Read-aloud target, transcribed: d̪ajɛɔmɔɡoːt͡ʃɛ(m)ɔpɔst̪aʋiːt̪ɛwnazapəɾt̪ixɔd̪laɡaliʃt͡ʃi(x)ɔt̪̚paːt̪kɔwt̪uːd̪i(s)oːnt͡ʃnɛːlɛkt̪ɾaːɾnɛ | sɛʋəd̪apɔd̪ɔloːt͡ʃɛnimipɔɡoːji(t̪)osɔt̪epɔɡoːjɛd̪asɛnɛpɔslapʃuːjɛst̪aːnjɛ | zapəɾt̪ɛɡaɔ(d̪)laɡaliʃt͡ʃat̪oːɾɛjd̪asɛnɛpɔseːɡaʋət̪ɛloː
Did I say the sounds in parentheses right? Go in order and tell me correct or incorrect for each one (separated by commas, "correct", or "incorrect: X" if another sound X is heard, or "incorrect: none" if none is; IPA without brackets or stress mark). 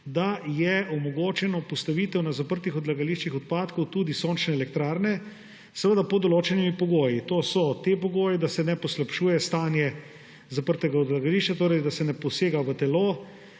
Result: incorrect: n, correct, correct, correct, correct